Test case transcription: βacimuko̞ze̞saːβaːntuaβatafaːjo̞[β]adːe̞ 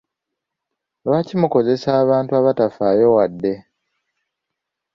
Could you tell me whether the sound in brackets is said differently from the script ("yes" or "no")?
yes